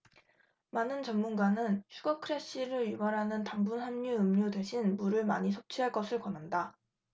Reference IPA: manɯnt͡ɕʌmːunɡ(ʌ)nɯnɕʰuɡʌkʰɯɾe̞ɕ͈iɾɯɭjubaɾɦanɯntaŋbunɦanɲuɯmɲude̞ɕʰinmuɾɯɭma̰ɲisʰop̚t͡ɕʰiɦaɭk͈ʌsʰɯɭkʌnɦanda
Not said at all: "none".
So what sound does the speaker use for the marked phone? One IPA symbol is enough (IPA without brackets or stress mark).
a